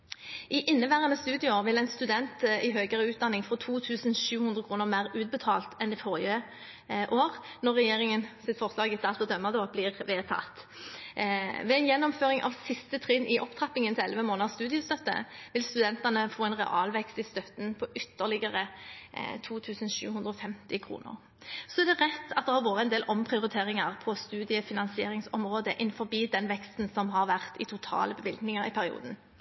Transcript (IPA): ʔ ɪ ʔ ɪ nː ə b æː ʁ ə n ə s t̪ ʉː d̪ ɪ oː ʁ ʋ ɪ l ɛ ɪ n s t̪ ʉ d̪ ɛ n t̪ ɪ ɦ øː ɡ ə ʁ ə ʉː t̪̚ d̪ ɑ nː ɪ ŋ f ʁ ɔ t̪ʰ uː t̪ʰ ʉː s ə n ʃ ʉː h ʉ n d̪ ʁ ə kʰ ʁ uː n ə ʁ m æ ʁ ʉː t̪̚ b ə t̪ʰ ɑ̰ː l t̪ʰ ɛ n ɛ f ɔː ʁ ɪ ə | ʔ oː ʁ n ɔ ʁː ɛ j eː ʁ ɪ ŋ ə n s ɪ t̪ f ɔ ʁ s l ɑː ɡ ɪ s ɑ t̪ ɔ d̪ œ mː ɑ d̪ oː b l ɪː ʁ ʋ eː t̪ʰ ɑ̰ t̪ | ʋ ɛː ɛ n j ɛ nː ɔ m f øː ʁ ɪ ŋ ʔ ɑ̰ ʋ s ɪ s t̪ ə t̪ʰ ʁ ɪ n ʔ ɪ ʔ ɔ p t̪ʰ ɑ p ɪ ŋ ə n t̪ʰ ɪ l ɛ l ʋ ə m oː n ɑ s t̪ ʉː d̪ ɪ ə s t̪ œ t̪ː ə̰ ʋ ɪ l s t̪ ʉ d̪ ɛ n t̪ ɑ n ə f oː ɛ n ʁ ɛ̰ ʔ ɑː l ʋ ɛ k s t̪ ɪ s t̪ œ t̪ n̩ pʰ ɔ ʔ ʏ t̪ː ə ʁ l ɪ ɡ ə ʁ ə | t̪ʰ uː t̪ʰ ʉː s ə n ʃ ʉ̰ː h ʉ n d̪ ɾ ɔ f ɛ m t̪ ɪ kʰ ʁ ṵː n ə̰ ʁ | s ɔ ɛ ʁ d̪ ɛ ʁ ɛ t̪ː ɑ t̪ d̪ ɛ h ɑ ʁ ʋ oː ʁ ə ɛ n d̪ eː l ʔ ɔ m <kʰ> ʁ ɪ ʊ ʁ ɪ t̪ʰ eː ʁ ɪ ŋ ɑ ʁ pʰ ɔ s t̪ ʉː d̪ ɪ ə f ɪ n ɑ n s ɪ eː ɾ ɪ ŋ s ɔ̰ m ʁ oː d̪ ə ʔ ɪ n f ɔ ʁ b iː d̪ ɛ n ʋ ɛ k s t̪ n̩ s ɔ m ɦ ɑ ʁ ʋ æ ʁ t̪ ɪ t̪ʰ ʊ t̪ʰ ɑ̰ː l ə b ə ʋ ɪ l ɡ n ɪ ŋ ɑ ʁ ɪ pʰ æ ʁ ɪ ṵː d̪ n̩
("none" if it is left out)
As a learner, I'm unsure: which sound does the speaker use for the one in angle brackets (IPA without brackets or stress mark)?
pʰ